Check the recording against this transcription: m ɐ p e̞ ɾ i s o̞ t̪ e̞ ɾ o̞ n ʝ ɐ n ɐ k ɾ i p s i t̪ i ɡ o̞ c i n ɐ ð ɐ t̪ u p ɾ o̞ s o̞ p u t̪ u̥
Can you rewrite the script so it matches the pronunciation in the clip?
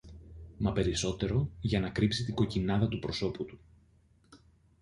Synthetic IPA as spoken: m ɐ p e̞ ɾ i s o̞ t̪ e̞ ɾ o̞ ʝ ɐ n ɐ k ɾ i p s i t̪ i ɡ o̞ c i n ɐ ð ɐ t̪ u p ɾ o̞ s o̞ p u t̪ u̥